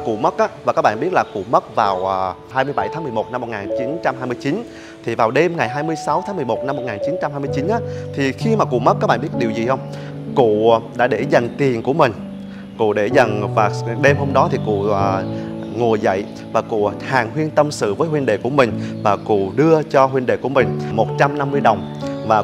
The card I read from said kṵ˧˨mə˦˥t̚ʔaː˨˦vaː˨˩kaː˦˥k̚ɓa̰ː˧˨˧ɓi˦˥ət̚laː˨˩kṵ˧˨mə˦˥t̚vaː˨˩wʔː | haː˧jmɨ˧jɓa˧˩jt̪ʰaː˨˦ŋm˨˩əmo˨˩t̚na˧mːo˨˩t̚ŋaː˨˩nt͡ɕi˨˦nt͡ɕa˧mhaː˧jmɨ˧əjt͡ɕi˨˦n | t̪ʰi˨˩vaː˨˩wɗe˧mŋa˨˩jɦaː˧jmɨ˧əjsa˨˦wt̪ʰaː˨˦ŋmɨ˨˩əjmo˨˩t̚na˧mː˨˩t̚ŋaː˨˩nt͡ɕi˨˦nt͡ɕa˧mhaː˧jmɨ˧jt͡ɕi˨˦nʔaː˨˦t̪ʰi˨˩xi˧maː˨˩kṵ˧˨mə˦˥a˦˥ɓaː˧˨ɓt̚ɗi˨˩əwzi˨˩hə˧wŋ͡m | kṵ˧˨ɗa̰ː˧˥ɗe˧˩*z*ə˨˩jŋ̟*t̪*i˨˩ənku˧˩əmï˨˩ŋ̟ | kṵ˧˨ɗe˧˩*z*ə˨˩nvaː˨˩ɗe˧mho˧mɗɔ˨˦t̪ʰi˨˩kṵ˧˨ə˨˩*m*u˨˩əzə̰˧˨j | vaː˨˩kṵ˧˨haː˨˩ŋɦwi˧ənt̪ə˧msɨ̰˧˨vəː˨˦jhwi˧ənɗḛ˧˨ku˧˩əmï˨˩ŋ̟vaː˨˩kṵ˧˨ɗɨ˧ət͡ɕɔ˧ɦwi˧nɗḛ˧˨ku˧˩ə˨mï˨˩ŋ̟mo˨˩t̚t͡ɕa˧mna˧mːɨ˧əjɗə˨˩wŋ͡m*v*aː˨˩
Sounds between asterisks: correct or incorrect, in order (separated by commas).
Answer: correct, correct, correct, incorrect, correct